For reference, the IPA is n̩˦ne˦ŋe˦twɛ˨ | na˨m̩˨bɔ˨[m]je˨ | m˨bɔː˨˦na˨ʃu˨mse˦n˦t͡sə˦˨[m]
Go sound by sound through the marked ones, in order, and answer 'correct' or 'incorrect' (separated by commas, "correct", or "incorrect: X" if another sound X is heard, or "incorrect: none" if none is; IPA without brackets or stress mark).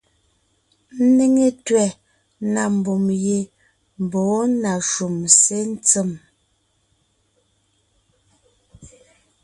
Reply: correct, correct